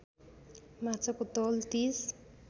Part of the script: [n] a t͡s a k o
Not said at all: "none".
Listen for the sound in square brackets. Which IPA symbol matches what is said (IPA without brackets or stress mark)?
m